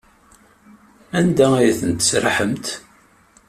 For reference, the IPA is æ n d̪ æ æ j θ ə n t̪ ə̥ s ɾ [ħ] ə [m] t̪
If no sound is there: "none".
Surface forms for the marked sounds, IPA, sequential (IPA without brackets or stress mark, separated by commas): ħ, m